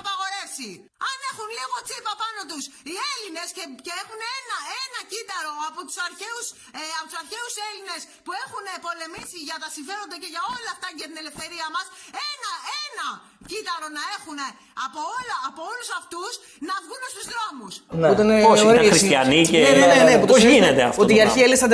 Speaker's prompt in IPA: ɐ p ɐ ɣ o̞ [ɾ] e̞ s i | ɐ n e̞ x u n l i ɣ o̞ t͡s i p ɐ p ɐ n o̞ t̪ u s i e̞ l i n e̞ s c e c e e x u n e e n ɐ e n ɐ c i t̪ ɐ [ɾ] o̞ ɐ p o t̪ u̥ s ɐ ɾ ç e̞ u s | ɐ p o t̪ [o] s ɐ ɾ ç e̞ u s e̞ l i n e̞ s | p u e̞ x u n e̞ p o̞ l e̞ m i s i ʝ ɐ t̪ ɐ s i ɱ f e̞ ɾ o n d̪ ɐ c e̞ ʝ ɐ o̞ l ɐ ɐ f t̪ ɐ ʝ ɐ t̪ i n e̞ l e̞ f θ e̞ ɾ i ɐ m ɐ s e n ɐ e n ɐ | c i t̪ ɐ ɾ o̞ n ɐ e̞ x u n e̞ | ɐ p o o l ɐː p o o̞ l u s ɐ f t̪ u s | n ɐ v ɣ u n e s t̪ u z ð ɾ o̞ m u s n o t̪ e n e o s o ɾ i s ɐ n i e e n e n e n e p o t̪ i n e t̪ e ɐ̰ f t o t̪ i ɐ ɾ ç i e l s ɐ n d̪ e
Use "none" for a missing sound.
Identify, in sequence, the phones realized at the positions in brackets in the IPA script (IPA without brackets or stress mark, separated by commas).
ɾ, ɾ, u